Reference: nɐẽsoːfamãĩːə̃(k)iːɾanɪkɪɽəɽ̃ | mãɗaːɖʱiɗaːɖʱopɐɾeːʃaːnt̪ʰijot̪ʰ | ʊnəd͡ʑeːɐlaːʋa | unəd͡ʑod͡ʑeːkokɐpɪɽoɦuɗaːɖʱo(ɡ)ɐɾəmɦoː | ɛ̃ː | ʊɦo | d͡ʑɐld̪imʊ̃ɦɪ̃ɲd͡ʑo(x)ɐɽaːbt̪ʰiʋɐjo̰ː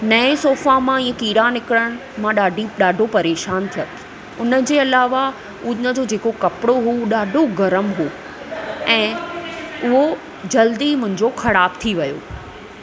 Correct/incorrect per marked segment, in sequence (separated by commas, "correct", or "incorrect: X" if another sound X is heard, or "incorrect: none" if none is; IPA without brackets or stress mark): correct, correct, correct